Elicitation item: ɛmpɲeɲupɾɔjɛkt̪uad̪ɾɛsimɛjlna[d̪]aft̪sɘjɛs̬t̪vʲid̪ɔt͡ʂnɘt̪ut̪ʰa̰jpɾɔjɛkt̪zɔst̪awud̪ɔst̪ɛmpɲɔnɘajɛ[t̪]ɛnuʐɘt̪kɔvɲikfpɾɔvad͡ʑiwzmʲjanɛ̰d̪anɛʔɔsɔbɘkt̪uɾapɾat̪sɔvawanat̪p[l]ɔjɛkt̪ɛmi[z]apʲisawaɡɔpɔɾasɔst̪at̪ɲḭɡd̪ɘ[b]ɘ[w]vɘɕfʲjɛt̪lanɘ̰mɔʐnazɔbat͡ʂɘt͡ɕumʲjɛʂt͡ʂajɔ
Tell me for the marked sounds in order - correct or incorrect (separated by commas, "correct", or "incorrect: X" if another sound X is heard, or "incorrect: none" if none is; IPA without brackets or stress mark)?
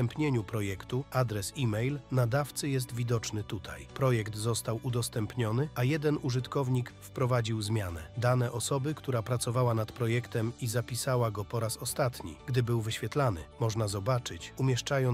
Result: correct, incorrect: d̪, incorrect: ɾ, correct, correct, correct